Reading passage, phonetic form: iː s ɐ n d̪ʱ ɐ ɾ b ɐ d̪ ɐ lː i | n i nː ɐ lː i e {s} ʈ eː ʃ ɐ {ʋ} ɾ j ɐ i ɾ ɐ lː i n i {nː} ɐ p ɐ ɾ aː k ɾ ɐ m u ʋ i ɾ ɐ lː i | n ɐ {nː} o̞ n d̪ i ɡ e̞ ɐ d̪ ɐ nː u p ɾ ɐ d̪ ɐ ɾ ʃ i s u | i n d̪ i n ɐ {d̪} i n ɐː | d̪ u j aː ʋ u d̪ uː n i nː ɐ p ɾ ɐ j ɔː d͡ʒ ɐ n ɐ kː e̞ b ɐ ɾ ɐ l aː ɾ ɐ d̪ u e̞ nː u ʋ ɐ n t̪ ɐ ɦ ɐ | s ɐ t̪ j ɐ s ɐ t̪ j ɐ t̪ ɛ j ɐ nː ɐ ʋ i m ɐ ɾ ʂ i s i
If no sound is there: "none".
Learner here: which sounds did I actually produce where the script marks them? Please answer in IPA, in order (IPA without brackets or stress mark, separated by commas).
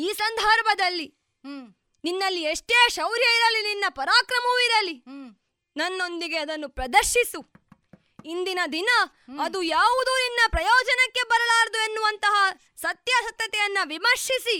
ʂ, w, nː, nː, d̪